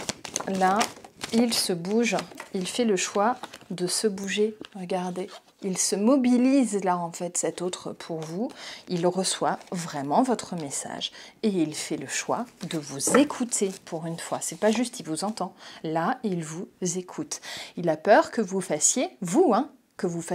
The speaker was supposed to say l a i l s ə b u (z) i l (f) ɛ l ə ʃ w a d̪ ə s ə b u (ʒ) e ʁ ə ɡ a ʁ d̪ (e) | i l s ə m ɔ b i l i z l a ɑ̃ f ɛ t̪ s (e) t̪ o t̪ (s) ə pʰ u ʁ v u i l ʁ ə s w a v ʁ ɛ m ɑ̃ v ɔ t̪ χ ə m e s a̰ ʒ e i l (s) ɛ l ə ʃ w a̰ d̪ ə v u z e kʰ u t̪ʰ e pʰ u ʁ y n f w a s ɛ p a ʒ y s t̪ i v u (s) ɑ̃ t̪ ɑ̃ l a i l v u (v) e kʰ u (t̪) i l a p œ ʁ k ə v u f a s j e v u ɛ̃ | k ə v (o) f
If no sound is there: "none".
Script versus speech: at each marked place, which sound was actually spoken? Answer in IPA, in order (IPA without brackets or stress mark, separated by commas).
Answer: ʒ, f, ʒ, e, ɛ, χ, f, z, z, t̪, u